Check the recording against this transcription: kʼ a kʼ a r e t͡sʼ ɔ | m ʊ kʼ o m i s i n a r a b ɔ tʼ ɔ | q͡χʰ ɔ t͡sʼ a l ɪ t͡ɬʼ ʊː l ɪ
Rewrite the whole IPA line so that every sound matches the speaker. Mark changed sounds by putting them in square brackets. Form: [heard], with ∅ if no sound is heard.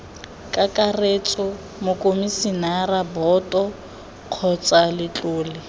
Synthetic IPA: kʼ a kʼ a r e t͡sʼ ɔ | m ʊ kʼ o m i s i n a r a b ɔ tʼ ɔ | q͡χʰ ɔ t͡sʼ a l ɪ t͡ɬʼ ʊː l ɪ